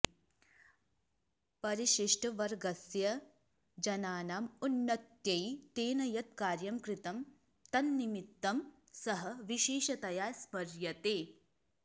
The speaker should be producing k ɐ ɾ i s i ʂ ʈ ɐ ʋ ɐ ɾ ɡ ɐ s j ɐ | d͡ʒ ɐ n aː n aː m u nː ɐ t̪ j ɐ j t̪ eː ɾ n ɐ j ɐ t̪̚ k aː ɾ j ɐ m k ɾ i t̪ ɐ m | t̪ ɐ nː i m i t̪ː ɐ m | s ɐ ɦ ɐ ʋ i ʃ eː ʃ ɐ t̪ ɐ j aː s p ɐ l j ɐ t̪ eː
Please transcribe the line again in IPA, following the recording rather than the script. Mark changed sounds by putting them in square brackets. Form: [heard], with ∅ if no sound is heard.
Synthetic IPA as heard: [p] ɐ ɾ i [ʃ] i ʂ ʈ ɐ ʋ ɐ ɾ ɡ ɐ s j ɐ | d͡ʒ ɐ n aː n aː m u nː ɐ t̪ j ɐ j t̪ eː [∅] n ɐ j ɐ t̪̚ k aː ɾ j ɐ m k ɾ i t̪ ɐ m | t̪ ɐ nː i m i t̪ː ɐ m | s ɐ ɦ ɐ ʋ i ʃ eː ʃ ɐ t̪ ɐ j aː s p ɐ [ɾ] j ɐ t̪ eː